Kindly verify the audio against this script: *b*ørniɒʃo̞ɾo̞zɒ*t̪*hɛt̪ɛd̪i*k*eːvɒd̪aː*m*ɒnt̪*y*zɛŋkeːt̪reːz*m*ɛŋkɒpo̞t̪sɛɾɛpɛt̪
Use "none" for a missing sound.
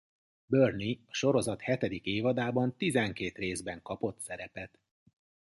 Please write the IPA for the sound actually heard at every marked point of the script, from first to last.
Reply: b, t̪, k, b, i, b

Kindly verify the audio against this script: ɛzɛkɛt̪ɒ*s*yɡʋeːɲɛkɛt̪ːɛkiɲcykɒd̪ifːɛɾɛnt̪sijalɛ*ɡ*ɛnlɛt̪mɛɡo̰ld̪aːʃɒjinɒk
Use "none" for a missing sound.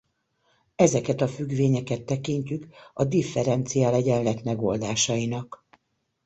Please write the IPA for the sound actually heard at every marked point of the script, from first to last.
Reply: f, ɟ

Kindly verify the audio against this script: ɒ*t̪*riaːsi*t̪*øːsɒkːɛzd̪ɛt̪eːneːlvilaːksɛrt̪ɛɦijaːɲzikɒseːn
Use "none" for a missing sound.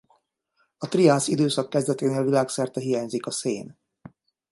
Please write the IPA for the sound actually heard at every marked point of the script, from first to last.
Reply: t̪, d̪

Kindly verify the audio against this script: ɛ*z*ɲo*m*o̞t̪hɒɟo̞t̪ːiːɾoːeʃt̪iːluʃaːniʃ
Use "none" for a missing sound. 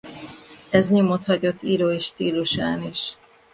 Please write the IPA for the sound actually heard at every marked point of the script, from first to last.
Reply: z, m

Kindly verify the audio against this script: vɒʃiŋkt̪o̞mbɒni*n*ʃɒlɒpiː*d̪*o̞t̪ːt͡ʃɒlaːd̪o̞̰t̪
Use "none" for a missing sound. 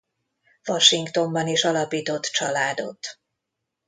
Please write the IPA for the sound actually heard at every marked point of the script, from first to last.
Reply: none, t̪

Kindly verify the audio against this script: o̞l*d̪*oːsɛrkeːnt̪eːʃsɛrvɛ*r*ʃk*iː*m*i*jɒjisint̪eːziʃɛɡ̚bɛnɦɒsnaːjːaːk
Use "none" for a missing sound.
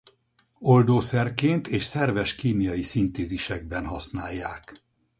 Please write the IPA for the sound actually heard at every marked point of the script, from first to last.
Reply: d̪, none, iː, i

